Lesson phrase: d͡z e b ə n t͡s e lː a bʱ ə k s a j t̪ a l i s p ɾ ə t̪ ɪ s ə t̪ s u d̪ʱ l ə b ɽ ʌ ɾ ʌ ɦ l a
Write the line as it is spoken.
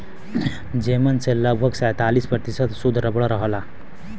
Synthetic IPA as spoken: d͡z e m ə n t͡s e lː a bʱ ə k s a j t̪ a l i s p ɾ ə t̪ i s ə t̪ s u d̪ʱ ɾ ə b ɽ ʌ ɾ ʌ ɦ l a